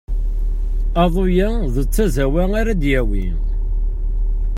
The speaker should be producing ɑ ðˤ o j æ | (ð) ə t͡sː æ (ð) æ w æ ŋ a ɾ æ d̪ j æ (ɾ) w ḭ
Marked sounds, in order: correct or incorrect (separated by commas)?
correct, incorrect, incorrect